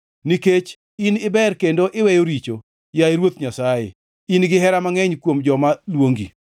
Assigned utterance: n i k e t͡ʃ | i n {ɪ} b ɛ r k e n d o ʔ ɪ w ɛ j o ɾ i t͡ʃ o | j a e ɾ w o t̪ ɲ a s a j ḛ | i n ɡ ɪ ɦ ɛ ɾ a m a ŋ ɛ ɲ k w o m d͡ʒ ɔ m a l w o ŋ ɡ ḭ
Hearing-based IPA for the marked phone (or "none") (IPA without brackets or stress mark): ɪ